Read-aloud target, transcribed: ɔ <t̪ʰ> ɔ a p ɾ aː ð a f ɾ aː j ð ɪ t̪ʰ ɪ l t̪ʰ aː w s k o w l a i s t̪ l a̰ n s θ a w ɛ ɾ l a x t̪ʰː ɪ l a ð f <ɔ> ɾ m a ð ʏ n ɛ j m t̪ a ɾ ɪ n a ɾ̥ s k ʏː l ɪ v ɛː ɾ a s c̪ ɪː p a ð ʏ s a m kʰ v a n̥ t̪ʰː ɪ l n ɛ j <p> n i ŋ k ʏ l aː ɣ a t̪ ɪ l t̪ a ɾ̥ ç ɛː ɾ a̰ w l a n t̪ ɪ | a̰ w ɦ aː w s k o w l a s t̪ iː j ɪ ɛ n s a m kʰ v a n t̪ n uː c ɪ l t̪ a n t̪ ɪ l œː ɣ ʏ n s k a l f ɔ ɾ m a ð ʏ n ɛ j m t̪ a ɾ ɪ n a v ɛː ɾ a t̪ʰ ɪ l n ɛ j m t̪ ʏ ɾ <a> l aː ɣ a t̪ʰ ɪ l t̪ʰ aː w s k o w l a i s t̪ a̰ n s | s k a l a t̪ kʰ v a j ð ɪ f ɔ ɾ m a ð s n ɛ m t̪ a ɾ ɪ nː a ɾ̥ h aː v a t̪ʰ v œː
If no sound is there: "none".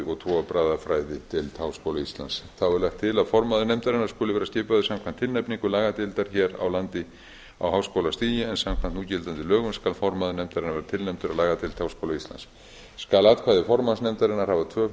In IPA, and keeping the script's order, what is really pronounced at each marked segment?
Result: t̪ʰ, ɔ, p, a

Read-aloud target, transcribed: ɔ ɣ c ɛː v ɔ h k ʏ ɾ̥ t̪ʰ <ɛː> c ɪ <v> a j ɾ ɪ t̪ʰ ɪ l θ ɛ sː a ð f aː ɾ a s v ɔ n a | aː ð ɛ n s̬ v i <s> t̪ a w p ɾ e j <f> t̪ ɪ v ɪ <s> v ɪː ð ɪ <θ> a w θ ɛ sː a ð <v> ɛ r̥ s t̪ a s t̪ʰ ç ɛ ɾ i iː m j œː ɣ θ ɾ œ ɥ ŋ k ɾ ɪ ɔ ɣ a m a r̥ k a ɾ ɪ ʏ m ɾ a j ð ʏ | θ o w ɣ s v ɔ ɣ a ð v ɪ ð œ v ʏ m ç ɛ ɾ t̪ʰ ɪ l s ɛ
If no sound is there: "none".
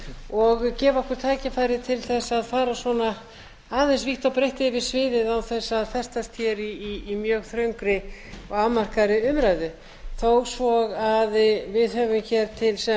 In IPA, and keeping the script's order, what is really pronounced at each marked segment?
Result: aː, f, h, h, s, ð, f

